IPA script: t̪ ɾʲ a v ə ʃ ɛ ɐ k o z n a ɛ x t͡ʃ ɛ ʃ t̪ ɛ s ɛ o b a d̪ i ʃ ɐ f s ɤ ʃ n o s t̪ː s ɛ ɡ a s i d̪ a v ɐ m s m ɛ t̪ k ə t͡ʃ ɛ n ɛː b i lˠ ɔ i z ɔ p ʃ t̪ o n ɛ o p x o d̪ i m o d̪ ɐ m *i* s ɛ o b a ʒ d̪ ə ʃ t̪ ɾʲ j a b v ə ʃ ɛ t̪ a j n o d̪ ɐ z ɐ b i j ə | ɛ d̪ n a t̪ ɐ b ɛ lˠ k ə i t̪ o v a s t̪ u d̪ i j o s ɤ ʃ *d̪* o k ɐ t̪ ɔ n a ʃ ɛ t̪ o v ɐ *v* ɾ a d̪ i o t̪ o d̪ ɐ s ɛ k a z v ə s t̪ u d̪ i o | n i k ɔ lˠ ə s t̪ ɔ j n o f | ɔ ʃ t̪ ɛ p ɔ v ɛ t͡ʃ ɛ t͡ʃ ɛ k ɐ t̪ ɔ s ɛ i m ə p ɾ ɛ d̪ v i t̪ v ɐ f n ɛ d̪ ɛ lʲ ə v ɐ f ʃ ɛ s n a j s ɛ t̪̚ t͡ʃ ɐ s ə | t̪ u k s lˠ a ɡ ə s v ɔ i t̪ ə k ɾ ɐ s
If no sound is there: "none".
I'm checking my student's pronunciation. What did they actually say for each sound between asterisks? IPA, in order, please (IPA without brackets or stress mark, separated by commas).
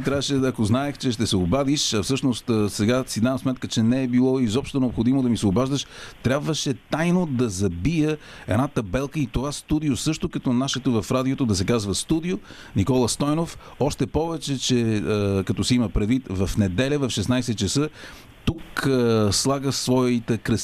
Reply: i, t̪, f